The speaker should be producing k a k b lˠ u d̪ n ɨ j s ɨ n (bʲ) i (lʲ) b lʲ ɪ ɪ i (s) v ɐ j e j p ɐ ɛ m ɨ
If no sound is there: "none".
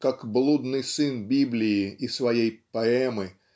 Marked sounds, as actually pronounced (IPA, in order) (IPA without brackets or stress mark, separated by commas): bʲ, none, s